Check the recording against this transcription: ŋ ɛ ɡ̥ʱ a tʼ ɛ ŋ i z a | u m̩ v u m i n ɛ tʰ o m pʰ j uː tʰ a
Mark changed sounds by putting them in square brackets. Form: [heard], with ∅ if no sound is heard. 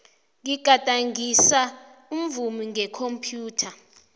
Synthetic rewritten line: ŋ [i] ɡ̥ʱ a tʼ [a] ŋ i [s] a | u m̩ v u m i [ŋ] ɛ [kʰ] o m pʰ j uː tʰ a